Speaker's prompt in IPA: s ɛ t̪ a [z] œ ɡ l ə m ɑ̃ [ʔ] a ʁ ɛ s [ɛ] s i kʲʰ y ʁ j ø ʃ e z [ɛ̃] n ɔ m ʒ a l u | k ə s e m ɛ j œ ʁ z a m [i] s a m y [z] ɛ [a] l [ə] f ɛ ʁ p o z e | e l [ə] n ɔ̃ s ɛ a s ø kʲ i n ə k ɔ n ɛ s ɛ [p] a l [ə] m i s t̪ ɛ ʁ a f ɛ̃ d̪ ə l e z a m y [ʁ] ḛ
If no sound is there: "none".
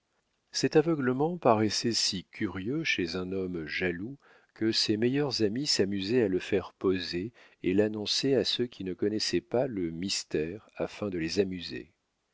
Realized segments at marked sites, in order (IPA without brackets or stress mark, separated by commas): v, p, ɛ, ɛ̃, i, z, a, ə, a, p, ə, z